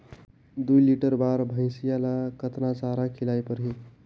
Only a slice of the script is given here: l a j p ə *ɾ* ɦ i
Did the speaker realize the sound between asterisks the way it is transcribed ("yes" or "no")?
yes